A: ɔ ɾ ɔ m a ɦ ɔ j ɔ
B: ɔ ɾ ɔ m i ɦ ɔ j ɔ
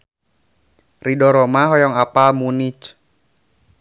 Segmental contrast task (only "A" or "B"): A